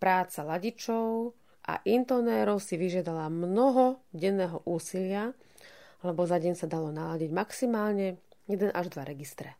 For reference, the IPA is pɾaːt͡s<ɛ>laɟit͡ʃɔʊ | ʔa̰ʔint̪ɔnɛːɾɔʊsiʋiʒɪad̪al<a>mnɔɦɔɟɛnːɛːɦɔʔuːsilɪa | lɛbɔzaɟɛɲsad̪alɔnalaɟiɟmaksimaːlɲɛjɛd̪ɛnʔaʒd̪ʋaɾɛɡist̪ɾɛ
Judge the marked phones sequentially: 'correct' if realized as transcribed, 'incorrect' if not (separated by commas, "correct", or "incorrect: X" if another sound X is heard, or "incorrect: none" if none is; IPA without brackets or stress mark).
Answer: incorrect: a, correct